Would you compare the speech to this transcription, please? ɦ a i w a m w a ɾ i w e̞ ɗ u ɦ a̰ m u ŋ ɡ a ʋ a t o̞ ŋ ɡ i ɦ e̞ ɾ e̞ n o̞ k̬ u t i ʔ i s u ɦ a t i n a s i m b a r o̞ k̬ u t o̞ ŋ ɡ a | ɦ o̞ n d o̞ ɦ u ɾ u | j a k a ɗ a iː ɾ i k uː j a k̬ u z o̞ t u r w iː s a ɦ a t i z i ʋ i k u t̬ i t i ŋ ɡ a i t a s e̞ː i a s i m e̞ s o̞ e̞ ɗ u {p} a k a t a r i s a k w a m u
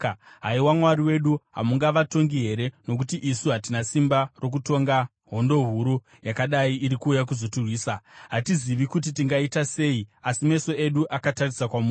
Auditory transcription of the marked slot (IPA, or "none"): ʔ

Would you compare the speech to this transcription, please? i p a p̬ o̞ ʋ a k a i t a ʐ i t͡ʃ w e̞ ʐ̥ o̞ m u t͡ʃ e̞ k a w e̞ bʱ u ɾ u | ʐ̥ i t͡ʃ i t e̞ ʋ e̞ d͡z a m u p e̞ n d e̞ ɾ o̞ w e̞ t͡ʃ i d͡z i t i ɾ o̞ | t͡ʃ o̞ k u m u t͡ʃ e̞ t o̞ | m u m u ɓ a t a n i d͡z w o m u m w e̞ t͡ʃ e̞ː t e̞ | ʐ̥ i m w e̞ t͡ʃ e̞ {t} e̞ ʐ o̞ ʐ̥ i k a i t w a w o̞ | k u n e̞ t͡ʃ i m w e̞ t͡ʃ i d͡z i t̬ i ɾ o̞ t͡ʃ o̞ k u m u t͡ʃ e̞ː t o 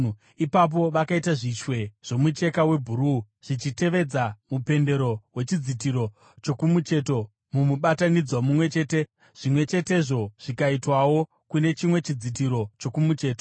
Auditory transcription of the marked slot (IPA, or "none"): t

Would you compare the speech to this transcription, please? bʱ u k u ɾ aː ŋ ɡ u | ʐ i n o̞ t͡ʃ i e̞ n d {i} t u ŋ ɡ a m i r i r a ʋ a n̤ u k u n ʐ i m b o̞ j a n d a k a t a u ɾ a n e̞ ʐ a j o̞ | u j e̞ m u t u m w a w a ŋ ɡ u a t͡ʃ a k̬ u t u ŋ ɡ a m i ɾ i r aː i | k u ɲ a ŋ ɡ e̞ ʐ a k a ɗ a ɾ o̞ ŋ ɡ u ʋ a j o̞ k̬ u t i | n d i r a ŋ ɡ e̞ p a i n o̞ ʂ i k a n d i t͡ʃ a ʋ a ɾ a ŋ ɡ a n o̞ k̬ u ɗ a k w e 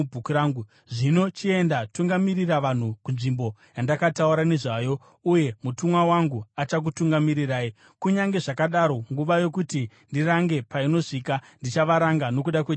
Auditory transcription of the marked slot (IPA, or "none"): a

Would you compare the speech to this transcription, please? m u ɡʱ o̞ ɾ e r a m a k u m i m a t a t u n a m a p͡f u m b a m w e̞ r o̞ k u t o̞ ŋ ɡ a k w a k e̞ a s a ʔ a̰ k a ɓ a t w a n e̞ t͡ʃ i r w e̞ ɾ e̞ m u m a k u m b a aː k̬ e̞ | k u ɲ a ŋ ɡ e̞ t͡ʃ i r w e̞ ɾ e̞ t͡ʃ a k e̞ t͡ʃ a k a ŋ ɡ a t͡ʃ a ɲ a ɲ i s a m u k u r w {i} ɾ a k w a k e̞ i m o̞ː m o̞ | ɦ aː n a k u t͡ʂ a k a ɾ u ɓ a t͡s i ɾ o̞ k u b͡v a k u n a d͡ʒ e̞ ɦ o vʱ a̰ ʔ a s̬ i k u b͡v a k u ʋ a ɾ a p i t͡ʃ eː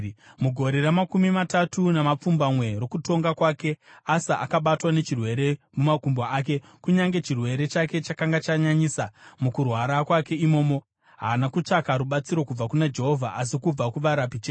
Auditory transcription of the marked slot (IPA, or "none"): a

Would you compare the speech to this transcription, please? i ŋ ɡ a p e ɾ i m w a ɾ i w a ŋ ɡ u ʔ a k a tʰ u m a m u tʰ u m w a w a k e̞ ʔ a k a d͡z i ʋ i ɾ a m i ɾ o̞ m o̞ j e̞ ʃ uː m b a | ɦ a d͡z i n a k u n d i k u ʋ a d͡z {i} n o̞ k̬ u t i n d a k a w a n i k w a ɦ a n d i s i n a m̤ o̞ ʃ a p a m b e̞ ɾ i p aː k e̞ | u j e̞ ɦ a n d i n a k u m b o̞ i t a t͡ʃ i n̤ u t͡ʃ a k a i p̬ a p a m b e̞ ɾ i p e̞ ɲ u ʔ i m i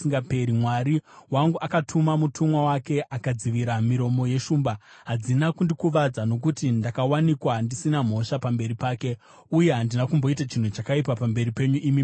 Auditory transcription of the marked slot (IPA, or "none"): a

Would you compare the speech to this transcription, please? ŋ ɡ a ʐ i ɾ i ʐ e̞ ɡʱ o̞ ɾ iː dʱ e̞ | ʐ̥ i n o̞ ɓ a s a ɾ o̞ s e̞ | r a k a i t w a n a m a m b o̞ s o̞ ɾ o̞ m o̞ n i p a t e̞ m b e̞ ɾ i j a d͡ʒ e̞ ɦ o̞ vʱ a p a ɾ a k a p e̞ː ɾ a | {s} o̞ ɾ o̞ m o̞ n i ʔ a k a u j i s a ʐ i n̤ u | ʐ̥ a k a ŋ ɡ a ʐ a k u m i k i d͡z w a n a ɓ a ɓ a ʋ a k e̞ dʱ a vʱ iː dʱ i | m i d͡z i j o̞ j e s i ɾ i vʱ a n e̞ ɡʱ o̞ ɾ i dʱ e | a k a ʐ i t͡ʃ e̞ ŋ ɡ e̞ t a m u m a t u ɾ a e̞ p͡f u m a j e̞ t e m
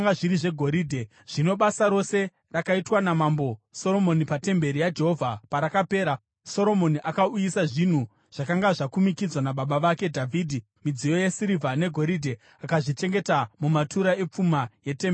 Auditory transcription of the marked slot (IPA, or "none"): s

